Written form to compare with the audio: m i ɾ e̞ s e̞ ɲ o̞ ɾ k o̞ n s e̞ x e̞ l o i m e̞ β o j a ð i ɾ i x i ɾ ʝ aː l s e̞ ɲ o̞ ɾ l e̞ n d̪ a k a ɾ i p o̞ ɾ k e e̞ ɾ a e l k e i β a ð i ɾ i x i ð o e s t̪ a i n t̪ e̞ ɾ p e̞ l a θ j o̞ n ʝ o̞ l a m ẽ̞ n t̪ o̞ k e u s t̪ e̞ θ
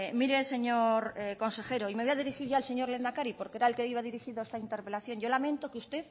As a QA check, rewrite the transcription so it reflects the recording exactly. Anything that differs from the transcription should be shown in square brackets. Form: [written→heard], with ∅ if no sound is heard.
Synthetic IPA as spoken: m i ɾ e̞ s e̞ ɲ o̞ ɾ k o̞ n s e̞ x e̞ [l→ɾ] o i m e̞ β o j a ð i ɾ i x i ɾ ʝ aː l s e̞ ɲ o̞ ɾ l e̞ n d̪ a k a ɾ i p o̞ ɾ k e e̞ ɾ a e l k e i β a ð i ɾ i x i ð o e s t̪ a i n t̪ e̞ ɾ p e̞ l a θ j o̞ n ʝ o̞ l a m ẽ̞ n t̪ o̞ k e u s t̪ e̞ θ